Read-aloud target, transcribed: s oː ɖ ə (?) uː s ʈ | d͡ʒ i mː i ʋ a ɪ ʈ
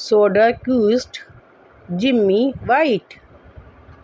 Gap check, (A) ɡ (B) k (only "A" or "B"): B